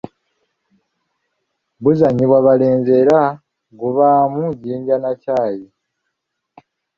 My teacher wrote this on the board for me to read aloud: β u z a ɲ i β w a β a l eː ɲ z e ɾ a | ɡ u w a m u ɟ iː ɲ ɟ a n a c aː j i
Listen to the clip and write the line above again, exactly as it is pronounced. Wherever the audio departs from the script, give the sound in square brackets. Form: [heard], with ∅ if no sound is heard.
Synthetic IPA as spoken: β u z a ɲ i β w a β a l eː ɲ z e ɾ a | ɡ u [β] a m u ɟ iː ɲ ɟ a n a c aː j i